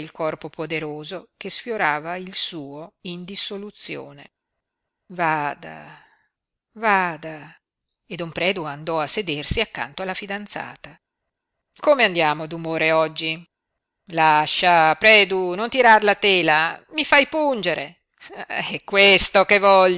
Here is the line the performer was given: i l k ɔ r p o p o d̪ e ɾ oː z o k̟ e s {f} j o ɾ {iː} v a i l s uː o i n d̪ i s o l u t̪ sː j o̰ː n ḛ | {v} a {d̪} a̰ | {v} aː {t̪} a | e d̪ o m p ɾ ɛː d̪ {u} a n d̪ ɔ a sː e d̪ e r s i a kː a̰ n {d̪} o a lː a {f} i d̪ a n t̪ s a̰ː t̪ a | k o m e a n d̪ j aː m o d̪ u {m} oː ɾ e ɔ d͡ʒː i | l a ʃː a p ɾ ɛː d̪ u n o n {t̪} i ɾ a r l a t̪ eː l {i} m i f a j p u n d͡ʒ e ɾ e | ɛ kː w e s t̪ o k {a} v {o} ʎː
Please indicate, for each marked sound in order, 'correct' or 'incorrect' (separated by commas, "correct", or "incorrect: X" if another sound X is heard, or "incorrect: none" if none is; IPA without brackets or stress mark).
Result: correct, incorrect: aː, correct, correct, correct, incorrect: d̪, correct, incorrect: t̪, correct, correct, correct, incorrect: a, incorrect: e, incorrect: ɔ